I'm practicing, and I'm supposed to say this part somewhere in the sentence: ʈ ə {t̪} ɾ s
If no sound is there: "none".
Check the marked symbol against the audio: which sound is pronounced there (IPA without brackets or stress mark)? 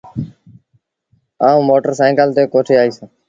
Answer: none